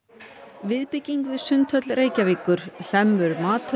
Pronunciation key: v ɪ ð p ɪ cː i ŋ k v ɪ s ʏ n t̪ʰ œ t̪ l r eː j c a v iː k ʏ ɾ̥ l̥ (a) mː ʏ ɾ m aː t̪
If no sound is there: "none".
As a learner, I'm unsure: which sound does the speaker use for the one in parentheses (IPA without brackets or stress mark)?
ɛ